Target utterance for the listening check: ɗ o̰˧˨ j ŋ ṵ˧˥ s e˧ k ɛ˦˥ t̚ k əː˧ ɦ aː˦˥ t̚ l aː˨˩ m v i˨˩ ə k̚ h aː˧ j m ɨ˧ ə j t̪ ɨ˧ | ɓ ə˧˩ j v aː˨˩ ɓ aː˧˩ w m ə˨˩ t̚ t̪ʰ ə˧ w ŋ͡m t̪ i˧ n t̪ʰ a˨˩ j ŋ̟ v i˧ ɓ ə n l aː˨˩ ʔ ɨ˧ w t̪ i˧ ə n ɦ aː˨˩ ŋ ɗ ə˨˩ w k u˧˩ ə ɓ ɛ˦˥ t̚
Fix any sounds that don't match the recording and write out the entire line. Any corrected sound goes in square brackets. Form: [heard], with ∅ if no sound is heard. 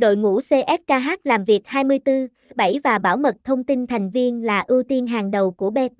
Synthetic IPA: ɗ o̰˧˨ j ŋ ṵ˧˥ s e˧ [ʔ] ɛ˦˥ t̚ k [aː˧] ɦ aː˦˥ t̚ l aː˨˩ m v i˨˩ ə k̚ h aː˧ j m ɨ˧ ə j t̪ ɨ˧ | ɓ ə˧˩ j v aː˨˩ ɓ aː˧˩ w m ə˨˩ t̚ t̪ʰ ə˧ w ŋ͡m t̪ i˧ n t̪ʰ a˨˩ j ŋ̟ v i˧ [∅] ə n l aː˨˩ ʔ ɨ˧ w t̪ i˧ ə n ɦ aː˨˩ ŋ ɗ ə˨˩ w k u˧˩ ə ɓ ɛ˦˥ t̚